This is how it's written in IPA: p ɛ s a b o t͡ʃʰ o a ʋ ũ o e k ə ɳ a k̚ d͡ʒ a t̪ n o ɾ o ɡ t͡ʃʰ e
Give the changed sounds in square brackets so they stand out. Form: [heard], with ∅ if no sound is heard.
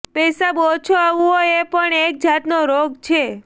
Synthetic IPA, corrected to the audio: p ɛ s a b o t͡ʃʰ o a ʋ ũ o e [p] ə ɳ [e] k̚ d͡ʒ a t̪ n o ɾ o ɡ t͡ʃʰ e